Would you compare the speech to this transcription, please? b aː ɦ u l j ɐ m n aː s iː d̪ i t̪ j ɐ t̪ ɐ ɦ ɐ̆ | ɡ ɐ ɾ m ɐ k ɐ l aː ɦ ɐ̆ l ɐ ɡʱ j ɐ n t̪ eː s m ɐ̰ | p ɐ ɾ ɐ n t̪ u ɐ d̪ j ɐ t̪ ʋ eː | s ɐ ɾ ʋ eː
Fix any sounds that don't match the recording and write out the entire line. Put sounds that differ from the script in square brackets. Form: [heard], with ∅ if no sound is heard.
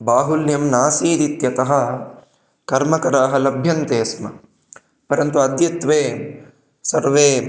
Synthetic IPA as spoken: b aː ɦ u l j ɐ m n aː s iː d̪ i t̪ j ɐ t̪ ɐ ɦ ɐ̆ | [k] ɐ ɾ m ɐ k ɐ [ɾ] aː ɦ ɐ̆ l ɐ [bʱ] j ɐ n t̪ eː s m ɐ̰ | p ɐ ɾ ɐ n t̪ u ɐ d̪ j ɐ t̪ ʋ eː | s ɐ ɾ ʋ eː